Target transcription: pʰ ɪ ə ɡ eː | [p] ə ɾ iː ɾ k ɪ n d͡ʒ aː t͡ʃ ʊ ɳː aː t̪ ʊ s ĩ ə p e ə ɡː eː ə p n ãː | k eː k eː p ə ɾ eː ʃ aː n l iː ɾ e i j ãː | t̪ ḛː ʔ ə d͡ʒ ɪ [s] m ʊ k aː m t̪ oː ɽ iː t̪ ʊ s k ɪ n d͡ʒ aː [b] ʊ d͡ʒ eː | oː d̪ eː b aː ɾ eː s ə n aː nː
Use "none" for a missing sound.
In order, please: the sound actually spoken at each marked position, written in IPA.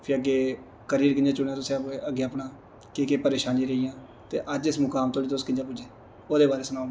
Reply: k, s, p

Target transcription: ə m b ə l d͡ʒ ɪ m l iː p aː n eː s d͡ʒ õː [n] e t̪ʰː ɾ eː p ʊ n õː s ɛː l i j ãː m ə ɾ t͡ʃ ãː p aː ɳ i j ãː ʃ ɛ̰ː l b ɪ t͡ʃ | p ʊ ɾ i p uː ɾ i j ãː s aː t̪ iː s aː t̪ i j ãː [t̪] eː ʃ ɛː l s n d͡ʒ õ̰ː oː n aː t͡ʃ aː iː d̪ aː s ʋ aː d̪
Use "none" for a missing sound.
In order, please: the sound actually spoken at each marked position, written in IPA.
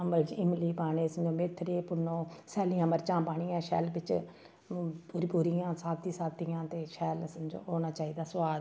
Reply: m, t̪

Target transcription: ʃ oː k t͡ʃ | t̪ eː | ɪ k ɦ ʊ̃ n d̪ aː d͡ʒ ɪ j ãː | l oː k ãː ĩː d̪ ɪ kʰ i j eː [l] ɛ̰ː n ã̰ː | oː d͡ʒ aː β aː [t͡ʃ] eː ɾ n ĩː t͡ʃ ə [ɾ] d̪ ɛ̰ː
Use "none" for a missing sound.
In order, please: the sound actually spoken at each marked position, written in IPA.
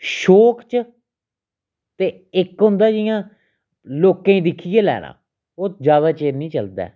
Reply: l, t͡ʃ, l

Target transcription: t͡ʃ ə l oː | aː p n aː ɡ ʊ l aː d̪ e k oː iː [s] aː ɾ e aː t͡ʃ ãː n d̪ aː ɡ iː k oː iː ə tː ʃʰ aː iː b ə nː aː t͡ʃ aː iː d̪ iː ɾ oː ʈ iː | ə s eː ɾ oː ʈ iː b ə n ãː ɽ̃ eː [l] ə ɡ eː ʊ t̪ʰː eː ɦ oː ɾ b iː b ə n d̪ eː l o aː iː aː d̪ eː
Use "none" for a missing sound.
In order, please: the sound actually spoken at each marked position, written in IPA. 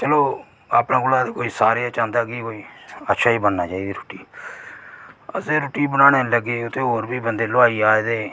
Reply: s, l

